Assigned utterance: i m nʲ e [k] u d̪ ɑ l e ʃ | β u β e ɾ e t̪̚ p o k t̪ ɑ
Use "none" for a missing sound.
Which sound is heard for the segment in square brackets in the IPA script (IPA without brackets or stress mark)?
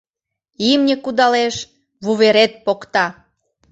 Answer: k